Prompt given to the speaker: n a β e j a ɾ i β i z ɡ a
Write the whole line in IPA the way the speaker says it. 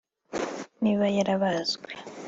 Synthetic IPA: n i β a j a ɾ a β a z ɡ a